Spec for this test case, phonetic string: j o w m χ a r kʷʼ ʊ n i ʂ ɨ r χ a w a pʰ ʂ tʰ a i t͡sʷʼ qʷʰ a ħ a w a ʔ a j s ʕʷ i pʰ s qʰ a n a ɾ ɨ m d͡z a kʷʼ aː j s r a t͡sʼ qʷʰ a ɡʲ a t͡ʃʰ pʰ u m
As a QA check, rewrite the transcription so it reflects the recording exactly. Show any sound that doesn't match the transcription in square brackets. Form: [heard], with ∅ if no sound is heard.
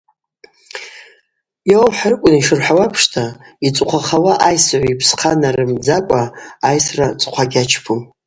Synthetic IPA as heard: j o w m [ħ] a r kʷʼ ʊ n i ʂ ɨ r [ħ] a w a pʰ ʂ tʰ a i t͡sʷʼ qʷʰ a [χ] a w a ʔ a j s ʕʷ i pʰ s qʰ a n a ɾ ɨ m d͡z a kʷʼ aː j s r a t͡sʼ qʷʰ a ɡʲ a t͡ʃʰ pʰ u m